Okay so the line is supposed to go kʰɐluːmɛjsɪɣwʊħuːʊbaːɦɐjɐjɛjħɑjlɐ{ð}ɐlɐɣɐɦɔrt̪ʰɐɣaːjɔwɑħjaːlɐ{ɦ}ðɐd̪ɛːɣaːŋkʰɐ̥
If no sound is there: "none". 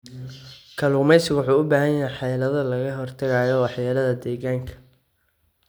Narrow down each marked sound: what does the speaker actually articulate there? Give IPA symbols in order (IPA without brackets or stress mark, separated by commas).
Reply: ð, none